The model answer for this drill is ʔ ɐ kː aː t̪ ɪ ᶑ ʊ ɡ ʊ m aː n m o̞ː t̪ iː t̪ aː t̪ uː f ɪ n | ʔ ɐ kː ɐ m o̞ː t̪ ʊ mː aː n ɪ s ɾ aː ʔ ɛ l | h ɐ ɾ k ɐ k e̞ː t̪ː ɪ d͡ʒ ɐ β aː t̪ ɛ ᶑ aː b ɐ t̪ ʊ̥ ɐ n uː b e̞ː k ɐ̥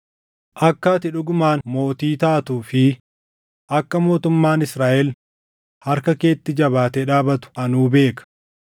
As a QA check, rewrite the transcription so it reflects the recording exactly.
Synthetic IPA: ʔ ɐ kː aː t̪ ɪ ᶑ ʊ ɡ ʊ m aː n m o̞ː t̪ iː t̪ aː t̪ uː f ɪ | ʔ ɐ kː ɐ m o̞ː t̪ ʊ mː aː n ɪ s ɾ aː ʔ ɛ l | h ɐ ɾ k ɐ k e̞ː t̪ː ɪ d͡ʒ ɐ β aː t̪ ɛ ᶑ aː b ɐ t̪ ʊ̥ ɐ n uː b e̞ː k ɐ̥